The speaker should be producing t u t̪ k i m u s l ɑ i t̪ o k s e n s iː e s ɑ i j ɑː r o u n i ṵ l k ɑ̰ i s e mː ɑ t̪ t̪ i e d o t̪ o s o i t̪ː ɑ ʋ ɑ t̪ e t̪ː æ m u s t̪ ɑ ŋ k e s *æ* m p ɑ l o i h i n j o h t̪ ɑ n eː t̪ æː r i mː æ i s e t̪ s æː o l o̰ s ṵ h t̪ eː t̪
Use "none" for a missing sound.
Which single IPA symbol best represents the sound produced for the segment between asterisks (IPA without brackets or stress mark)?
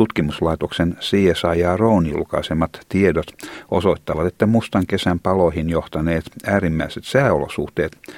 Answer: æ